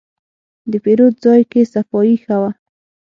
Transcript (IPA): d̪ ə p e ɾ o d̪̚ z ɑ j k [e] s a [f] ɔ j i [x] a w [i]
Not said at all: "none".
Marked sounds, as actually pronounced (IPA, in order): e, f, x, a

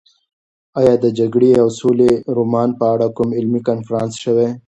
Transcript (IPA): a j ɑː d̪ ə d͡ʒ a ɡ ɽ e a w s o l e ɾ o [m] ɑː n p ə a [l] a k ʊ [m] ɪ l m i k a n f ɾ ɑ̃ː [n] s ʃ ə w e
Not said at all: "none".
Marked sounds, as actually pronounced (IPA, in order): m, ɽ, m, n

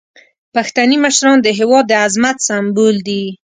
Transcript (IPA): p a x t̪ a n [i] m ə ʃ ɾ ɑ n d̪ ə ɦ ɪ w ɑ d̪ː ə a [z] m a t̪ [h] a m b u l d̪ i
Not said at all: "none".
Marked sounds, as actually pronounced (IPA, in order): i, z, s

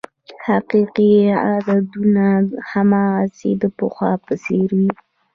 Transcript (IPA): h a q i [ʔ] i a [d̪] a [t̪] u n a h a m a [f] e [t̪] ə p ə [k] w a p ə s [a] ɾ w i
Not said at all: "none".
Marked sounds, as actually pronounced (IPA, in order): q, d̪, d̪, s, d̪, x, e

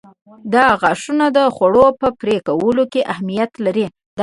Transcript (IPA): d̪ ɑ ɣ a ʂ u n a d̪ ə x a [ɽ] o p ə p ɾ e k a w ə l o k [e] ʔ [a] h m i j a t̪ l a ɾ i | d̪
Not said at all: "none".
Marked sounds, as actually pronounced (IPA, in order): ɽ, e, a

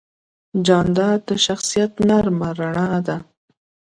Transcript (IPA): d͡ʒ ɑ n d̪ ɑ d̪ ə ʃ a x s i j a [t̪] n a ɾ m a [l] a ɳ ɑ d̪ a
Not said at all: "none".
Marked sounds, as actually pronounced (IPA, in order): t̪, ɾ

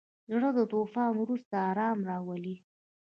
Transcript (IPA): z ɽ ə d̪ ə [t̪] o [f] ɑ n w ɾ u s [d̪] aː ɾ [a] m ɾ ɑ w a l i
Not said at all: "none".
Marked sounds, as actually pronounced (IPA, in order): t̪, f, t̪, ɑ

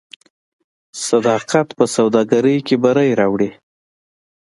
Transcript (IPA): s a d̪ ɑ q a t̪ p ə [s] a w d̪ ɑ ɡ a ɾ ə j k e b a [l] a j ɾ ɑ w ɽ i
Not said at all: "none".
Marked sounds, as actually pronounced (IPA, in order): s, ɾ

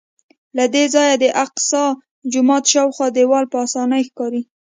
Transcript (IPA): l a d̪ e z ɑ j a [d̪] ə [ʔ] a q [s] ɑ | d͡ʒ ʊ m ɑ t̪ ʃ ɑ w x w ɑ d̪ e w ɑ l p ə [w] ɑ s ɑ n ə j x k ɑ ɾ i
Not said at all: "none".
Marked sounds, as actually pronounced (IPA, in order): d̪, ʔ, s, none

